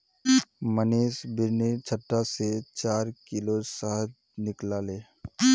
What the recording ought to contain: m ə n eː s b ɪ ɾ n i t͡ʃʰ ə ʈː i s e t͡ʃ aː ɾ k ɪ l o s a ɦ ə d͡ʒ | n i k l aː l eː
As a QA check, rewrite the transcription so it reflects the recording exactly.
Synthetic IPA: m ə n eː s b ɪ ɾ n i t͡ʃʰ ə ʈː a s e t͡ʃ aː ɾ k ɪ l o s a ɦ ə d͡ʒ | n ɪ k l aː l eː